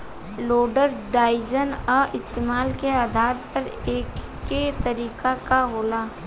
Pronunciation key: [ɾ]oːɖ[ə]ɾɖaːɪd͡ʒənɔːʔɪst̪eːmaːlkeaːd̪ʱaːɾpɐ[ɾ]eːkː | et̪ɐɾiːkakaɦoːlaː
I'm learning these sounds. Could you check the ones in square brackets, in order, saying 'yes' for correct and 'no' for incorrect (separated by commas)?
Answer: no, yes, yes